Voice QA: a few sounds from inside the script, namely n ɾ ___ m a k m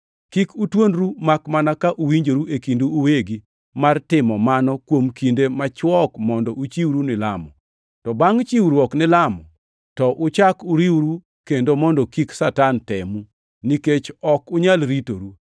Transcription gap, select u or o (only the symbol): u